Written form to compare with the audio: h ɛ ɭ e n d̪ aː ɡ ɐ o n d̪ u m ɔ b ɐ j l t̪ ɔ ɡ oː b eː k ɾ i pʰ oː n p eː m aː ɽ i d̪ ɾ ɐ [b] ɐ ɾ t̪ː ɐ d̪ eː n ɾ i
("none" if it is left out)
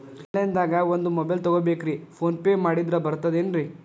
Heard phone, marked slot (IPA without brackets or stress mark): b